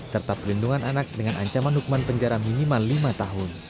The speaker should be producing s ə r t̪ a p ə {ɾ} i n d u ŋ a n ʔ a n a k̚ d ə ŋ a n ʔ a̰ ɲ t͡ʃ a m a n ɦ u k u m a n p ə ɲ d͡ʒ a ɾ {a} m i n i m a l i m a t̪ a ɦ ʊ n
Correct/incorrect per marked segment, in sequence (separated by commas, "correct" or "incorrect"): incorrect, correct